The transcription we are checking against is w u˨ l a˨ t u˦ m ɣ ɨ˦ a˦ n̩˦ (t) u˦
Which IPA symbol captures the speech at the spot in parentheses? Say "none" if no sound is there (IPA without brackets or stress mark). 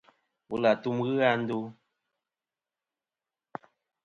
d